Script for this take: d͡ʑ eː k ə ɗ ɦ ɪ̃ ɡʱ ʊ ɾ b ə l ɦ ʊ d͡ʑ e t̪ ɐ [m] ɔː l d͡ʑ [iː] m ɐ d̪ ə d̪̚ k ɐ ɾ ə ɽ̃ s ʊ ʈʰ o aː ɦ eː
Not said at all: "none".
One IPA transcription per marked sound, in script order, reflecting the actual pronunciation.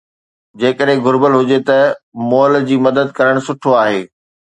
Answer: m, iː

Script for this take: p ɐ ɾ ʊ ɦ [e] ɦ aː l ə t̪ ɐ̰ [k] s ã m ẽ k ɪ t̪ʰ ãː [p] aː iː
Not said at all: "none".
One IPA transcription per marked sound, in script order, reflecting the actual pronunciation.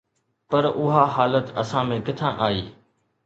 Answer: a, none, ʔ

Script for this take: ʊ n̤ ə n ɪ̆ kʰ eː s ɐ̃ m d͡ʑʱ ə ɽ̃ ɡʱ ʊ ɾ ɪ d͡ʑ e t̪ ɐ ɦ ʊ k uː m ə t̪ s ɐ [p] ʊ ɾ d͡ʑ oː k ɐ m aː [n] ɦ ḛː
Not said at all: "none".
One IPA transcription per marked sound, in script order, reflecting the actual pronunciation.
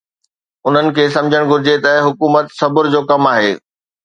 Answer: b, none

